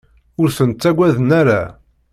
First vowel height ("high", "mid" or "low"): high